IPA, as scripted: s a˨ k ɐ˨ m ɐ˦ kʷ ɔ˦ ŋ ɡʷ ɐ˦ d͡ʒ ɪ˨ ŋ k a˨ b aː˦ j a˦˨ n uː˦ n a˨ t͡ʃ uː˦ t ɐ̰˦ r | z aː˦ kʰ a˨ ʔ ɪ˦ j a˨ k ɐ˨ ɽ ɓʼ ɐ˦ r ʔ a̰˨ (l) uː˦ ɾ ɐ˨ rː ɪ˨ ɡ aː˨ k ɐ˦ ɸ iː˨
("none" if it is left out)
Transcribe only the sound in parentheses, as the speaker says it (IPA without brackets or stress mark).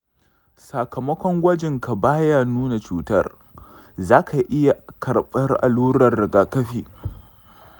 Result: l